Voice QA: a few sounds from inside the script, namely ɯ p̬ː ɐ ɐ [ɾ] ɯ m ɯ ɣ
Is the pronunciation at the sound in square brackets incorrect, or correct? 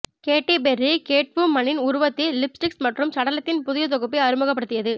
correct